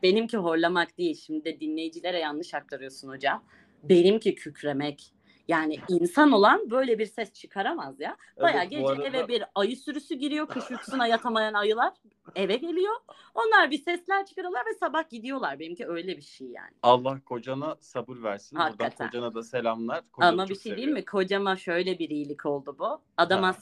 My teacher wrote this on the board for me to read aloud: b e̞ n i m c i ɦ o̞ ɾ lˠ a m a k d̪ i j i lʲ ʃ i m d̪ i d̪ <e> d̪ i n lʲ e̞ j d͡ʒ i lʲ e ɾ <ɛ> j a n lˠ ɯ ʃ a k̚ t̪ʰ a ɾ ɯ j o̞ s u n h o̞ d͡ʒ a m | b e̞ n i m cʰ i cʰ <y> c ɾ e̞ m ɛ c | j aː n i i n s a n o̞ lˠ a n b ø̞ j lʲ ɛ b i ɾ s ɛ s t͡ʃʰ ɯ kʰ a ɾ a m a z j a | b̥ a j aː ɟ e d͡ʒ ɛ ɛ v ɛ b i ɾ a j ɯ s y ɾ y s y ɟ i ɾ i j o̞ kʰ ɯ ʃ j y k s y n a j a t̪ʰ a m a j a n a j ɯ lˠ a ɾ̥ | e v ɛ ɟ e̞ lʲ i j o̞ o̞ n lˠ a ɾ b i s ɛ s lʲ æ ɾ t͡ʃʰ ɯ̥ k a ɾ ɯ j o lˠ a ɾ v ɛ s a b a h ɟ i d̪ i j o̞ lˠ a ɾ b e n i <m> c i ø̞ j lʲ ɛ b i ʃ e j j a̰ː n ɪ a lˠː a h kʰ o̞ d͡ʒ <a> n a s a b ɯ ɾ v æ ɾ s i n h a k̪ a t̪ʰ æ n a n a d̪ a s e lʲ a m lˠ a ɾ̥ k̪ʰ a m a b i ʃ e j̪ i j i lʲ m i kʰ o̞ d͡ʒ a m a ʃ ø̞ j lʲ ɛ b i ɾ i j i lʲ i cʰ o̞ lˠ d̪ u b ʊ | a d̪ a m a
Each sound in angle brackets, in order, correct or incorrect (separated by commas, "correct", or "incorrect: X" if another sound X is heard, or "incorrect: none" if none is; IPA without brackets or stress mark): incorrect: ɛ, correct, correct, correct, correct